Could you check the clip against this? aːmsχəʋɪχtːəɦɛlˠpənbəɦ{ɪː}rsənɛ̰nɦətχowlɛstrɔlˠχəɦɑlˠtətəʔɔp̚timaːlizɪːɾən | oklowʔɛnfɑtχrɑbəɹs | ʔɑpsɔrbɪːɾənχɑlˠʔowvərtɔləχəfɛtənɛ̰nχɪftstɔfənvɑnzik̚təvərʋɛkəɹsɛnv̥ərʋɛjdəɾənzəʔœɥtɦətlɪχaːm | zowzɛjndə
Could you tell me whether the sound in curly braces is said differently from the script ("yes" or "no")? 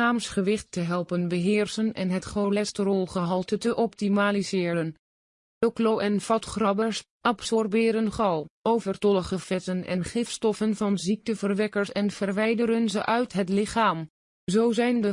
no